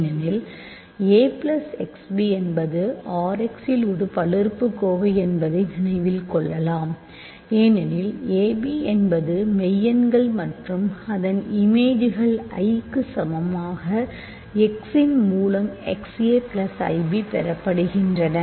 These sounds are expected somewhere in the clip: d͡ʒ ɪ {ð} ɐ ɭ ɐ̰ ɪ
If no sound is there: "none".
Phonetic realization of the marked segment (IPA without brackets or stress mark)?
ɣ